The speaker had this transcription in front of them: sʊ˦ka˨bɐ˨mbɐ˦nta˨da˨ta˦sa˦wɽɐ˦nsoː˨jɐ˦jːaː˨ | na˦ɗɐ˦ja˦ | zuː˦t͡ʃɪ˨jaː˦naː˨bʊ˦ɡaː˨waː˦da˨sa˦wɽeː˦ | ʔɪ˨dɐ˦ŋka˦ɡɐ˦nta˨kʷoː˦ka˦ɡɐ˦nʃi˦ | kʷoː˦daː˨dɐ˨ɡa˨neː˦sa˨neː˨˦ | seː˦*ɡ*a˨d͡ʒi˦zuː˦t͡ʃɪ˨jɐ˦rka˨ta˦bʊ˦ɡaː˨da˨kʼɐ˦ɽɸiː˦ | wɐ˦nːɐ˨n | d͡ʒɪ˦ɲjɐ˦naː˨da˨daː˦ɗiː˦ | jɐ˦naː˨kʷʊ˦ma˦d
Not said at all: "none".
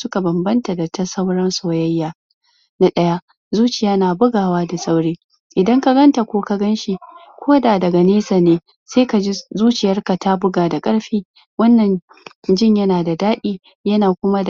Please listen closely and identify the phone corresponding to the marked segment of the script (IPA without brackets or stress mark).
k